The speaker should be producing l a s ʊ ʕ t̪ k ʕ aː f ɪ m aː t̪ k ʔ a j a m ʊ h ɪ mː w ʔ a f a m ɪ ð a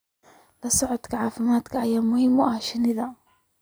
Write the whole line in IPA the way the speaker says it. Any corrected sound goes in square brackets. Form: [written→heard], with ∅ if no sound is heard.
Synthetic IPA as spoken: l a s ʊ ʕ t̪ k ʕ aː f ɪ m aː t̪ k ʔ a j a m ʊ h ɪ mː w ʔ a [f→ʃ] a [m→n] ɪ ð a